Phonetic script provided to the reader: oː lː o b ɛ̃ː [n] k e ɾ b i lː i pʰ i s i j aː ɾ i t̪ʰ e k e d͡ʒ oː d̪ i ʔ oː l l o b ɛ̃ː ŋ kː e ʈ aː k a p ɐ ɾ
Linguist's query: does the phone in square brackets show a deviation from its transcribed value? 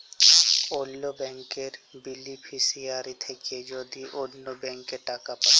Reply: yes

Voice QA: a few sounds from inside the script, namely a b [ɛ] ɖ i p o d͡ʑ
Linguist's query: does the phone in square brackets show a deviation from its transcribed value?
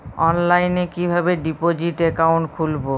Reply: yes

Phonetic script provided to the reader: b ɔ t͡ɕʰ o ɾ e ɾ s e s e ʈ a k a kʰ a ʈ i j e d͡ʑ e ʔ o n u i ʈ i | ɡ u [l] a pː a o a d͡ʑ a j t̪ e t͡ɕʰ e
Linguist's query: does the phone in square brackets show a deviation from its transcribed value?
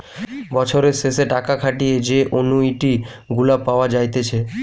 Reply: no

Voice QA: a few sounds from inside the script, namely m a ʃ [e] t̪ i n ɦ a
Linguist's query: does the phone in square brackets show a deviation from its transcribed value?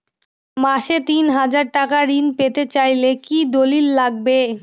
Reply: no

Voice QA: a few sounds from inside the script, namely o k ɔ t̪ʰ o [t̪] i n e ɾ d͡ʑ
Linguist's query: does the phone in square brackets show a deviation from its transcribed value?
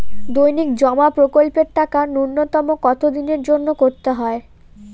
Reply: yes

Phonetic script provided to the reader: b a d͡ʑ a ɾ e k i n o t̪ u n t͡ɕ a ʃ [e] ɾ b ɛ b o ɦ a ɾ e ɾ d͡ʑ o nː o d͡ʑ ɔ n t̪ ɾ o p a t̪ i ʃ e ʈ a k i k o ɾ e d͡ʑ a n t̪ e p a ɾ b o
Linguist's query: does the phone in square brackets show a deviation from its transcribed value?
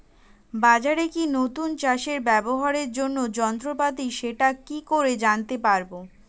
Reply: no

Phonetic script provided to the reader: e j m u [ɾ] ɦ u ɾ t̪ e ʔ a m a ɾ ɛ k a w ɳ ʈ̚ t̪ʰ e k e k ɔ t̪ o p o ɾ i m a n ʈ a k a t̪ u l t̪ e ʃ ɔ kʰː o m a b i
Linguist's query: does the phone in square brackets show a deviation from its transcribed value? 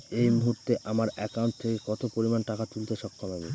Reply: yes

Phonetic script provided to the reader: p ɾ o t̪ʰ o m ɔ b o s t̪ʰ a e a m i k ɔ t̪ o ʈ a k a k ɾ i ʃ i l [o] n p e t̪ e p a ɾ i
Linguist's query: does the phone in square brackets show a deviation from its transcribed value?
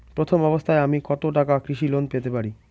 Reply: no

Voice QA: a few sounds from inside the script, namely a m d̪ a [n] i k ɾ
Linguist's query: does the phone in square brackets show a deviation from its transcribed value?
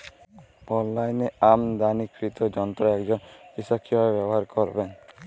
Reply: no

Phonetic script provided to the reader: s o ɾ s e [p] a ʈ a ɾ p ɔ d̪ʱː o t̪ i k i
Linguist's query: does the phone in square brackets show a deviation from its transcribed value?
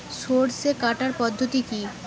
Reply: yes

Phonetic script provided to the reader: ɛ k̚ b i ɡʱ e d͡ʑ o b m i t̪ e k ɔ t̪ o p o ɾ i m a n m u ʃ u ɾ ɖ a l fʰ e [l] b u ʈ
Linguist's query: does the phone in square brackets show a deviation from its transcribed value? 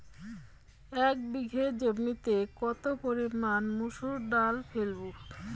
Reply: no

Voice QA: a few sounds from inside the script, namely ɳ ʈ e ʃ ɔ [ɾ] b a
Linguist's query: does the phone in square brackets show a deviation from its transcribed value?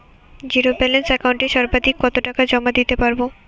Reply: no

